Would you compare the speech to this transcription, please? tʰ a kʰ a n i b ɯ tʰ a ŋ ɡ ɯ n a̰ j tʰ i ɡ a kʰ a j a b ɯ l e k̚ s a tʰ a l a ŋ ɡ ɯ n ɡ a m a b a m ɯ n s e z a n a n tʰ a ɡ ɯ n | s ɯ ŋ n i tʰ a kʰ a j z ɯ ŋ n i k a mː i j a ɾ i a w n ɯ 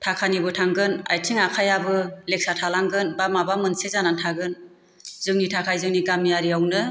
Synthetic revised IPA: tʰ a kʰ a n i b ɯ tʰ a ŋ ɡ ɯ n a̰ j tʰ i ŋ a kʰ a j a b ɯ l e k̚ s a tʰ a l a ŋ ɡ ɯ n b a m a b a m ɯ n s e z a n a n tʰ a ɡ ɯ n | z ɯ ŋ n i tʰ a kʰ a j z ɯ ŋ n i ɡ a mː i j a ɾ i a w n ɯ

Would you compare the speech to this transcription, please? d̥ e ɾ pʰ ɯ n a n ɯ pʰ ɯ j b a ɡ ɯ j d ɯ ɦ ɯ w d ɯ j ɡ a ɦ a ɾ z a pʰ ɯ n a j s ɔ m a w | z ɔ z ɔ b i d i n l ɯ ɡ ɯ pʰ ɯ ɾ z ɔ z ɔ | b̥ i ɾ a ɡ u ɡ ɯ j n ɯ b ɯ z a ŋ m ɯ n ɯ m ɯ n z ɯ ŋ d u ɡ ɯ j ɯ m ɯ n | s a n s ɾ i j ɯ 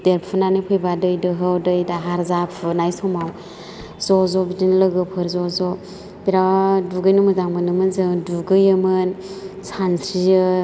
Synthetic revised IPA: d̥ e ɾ pʰ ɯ n a n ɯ pʰ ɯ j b a d ɯ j d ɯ ɦ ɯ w d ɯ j d a ɦ a ɾ z a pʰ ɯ n a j s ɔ m a w | z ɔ z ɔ b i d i n l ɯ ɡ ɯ pʰ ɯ ɾ z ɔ z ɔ | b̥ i ɾ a d u ɡ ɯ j n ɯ m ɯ z a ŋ m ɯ n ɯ m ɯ n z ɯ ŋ d u ɡ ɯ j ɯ m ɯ n | s a n s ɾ i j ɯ

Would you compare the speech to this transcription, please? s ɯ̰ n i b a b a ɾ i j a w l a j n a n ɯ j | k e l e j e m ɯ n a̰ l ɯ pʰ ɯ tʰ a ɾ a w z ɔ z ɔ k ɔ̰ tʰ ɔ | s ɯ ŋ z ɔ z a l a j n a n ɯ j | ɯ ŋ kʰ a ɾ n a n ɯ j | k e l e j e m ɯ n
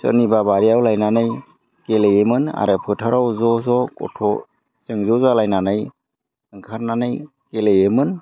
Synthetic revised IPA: s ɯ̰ n i b a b a ɾ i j a w l a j n a n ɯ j | k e l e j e m ɯ n a̰ ɾ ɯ pʰ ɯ tʰ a ɾ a w z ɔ z ɔ k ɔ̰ tʰ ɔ | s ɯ ŋ z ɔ z a l a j n a n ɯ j | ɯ ŋ kʰ a ɾ n a n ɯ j | k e l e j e m ɯ n

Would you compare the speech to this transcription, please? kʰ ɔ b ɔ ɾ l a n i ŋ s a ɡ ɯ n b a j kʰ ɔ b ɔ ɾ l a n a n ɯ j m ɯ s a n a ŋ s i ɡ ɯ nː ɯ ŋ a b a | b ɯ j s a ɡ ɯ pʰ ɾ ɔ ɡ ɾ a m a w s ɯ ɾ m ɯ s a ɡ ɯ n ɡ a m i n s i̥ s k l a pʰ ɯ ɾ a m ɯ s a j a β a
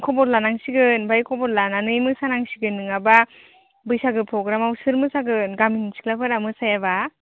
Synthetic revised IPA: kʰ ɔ b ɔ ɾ l a n a ŋ s i ɡ ɯ n b a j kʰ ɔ b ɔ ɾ l a n a n ɯ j m ɯ s a n a ŋ s i ɡ ɯ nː ɯ ŋ a b a | b ɯ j s a ɡ ɯ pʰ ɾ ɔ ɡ ɾ a m a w s ɯ ɾ m ɯ s a ɡ ɯ n ɡ a m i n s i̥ k l a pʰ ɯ ɾ a m ɯ s a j a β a

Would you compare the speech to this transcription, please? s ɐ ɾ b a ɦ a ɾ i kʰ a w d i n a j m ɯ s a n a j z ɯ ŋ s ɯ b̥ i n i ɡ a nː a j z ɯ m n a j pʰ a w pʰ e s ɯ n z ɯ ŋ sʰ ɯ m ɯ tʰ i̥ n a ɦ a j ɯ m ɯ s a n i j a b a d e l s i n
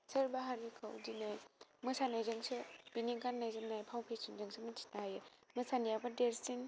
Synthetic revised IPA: s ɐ ɾ b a ɦ a ɾ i kʰ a w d i n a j m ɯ s a n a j z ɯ ŋ s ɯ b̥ i n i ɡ a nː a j z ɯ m n a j pʰ a w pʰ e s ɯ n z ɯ ŋ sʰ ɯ m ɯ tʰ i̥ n a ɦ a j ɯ m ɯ s a n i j a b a d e ɾ s i n

